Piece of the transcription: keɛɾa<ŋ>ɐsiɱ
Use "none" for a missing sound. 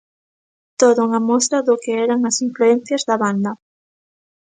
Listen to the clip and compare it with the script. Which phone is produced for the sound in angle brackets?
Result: ŋ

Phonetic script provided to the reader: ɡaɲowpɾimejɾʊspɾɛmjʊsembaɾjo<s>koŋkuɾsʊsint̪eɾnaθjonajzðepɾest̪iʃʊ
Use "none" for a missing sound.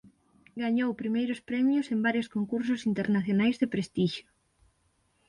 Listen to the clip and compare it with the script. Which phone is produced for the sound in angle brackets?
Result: s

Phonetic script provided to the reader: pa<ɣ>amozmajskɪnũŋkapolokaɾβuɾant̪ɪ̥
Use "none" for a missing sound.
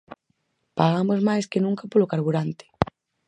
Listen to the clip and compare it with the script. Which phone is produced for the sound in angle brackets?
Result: ɣ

